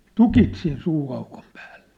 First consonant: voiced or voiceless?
voiceless